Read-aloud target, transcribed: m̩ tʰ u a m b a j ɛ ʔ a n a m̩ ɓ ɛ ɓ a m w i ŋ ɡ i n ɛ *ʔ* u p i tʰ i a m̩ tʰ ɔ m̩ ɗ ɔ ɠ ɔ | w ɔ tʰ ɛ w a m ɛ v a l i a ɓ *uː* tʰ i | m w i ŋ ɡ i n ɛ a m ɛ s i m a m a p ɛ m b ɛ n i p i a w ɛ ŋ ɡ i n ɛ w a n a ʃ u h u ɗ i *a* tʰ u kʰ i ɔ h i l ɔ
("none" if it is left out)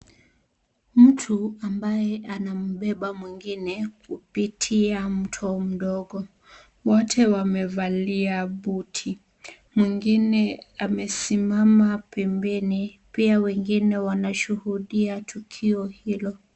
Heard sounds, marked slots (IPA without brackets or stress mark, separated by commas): k, u, a